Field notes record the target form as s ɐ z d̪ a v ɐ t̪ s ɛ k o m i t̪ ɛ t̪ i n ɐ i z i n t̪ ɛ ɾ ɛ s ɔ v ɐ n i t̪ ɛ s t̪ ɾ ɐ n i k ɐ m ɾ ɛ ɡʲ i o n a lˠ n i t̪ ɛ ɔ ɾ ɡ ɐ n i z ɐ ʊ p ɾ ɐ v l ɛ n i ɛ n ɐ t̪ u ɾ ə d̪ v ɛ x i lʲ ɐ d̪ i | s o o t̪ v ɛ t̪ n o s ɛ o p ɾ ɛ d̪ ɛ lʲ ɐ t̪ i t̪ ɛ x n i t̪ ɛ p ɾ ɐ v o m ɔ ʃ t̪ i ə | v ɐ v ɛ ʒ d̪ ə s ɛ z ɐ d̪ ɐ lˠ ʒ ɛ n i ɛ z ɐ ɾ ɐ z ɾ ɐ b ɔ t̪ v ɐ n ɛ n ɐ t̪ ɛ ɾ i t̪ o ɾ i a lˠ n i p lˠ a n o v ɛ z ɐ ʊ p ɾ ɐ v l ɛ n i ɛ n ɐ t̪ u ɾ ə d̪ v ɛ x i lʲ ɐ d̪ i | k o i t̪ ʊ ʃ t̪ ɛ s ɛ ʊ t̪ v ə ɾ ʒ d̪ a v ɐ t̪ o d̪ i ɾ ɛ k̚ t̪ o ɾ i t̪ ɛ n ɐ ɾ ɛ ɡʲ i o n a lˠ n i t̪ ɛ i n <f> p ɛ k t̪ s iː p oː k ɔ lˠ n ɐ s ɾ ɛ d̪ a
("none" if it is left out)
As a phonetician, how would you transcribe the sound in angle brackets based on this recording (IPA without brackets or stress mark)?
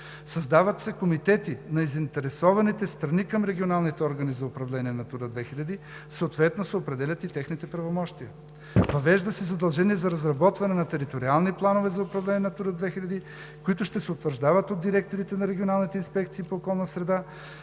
s